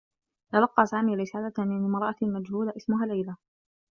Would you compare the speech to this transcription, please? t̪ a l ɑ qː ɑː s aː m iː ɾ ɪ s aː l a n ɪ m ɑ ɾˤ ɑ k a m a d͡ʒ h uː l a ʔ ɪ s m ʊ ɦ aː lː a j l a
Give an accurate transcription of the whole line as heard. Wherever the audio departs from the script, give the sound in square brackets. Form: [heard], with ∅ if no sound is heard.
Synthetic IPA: t̪ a l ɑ qː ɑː s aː m iː ɾ ɪ s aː l a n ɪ m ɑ ɾˤ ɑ [ʔ] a m a d͡ʒ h uː l a ʔ ɪ s m ʊ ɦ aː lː a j l a